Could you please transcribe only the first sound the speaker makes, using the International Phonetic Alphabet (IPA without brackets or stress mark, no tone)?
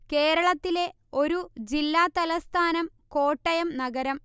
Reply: k